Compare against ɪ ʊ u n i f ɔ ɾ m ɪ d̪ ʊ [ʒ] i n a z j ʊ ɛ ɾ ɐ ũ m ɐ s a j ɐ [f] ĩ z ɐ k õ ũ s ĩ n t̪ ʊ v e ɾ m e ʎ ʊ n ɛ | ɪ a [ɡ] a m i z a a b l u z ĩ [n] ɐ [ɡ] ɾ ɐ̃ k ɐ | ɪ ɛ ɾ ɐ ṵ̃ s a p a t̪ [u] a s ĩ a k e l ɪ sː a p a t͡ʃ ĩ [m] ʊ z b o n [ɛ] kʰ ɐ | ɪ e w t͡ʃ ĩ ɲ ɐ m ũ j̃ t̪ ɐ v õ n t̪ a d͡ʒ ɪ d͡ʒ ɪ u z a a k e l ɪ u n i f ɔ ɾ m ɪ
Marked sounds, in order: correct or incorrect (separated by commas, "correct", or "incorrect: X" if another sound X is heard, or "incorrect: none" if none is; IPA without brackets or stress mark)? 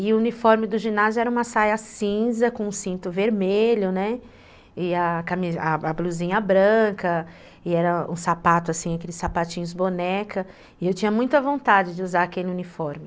correct, incorrect: s, incorrect: k, incorrect: ɲ, incorrect: b, incorrect: ʊ, incorrect: ɲ, correct